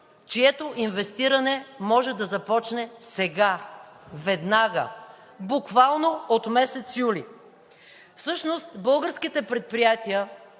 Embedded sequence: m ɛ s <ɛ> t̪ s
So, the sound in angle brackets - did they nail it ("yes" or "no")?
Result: yes